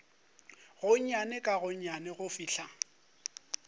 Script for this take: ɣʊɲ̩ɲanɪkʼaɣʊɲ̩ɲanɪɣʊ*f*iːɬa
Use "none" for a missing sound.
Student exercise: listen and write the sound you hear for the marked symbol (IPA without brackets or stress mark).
f